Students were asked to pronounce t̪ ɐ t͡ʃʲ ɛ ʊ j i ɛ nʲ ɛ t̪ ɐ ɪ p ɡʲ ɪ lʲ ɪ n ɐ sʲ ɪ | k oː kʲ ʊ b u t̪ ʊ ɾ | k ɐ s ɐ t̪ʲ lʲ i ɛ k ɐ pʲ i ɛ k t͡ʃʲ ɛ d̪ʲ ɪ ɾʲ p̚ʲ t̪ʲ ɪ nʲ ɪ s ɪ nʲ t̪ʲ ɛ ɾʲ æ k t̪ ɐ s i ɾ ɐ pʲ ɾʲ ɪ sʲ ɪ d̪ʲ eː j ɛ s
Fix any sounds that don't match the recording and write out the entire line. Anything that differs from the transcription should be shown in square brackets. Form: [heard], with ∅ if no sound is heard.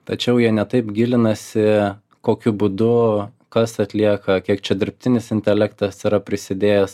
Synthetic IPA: t̪ ɐ t͡ʃʲ ɛ ʊ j i ɛ nʲ ɛ t̪ ɐ ɪ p ɡʲ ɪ lʲ ɪ n ɐ sʲ ɪ | k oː kʲ ʊ b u [d̪] ʊ [∅] | k ɐ s ɐ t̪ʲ lʲ i ɛ k ɐ [kʲ] i ɛ k t͡ʃʲ ɛ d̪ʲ ɪ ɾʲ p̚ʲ t̪ʲ ɪ nʲ ɪ s ɪ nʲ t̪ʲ ɛ [lʲ] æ k t̪ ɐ s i ɾ ɐ pʲ ɾʲ ɪ sʲ ɪ d̪ʲ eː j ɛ s